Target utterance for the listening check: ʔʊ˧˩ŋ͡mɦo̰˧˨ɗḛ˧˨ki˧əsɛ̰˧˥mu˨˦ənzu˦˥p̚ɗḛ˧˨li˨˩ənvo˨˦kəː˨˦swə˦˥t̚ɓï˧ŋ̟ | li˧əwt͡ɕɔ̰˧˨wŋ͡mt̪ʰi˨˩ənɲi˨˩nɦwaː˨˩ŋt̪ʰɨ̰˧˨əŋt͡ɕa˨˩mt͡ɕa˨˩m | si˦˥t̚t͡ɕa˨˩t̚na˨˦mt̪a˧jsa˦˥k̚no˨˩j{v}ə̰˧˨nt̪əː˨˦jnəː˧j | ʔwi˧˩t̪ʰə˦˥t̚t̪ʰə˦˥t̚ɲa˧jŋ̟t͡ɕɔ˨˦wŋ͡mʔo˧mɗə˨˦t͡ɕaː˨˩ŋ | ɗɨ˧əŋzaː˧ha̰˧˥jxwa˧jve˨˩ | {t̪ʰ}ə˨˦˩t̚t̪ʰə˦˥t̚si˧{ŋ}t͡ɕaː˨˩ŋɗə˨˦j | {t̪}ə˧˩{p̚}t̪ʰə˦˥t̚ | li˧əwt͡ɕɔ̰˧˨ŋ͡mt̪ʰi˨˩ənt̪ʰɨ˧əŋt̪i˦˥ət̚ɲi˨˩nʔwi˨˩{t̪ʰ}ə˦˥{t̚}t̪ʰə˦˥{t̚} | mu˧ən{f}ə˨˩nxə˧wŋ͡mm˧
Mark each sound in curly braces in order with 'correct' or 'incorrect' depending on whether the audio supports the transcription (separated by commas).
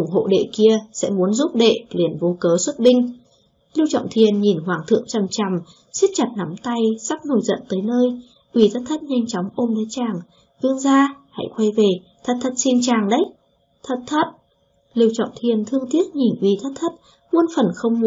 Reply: incorrect, correct, incorrect, incorrect, incorrect, correct, correct, correct, correct